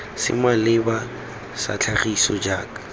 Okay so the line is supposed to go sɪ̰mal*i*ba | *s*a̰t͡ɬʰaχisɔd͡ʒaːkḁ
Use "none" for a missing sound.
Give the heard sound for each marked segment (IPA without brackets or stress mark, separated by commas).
ɪ, s